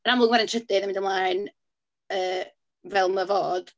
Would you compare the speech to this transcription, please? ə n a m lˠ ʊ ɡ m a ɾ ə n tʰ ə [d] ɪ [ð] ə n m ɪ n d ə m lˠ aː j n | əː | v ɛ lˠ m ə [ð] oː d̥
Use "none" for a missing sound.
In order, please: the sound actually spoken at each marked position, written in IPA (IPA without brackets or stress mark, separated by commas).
d, ð, v